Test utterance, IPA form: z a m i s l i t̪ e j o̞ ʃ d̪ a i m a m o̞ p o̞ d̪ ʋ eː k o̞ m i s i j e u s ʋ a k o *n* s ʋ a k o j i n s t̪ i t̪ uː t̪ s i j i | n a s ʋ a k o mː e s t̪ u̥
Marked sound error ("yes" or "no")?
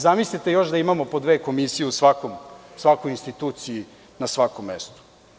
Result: yes